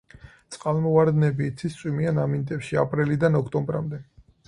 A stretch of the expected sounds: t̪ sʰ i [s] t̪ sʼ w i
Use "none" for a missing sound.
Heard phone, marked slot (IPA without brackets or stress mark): s